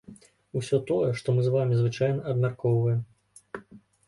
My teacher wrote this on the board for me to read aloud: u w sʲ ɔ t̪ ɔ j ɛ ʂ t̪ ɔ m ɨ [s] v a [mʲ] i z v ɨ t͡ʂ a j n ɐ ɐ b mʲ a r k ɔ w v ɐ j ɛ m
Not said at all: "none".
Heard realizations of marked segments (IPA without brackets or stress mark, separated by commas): z, mʲ